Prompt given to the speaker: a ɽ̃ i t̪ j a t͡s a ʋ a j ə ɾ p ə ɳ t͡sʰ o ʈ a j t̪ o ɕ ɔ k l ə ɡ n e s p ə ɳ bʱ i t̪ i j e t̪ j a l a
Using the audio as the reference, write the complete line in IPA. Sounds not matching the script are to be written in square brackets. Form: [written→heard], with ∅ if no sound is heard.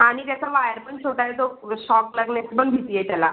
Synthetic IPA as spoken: a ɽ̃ i t̪ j a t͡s a ʋ a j ə ɾ p ə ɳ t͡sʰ o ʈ a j t̪ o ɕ ɔ k l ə ɡ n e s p ə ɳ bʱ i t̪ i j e t̪ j a l a